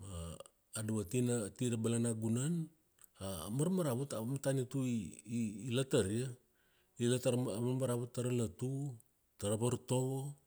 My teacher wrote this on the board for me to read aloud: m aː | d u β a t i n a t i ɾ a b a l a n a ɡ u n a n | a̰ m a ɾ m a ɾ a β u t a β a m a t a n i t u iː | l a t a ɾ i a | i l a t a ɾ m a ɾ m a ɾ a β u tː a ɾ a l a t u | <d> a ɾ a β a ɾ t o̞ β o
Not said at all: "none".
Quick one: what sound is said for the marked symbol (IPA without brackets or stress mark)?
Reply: t